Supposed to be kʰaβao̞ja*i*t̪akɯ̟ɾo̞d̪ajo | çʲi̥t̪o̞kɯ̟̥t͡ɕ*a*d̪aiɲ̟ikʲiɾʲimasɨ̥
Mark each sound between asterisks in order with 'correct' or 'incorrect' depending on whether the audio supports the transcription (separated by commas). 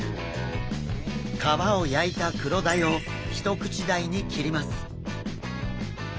correct, incorrect